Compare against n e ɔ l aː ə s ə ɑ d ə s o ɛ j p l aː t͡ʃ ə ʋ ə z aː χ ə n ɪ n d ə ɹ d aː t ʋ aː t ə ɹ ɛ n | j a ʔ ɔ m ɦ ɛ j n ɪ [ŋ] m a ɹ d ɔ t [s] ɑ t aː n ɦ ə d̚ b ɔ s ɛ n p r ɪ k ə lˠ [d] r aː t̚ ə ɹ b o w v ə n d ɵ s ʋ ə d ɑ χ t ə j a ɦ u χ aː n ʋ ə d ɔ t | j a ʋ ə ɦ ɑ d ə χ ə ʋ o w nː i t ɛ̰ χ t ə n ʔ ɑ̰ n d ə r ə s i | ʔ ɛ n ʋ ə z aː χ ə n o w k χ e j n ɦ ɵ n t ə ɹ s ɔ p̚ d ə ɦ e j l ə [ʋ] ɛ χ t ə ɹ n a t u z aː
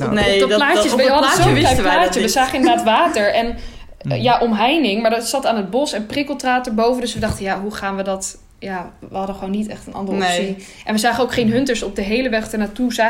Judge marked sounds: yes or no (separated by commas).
yes, yes, no, yes